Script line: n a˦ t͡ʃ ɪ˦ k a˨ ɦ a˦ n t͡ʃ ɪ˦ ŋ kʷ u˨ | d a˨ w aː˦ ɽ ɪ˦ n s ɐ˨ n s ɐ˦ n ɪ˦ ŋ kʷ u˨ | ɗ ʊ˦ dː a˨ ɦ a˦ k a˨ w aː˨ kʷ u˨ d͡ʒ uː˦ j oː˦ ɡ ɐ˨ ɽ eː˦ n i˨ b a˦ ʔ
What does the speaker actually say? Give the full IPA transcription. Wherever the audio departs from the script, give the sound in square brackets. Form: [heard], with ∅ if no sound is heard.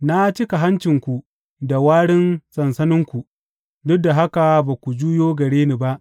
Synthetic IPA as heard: n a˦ t͡ʃ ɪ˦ k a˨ ɦ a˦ n t͡ʃ [ɪ˨] ŋ kʷ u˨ | d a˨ w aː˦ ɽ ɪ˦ n s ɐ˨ n s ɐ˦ n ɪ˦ ŋ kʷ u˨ | [d] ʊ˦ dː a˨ ɦ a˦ k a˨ [b] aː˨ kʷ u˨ d͡ʒ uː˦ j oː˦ ɡ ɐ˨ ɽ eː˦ n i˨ b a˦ ʔ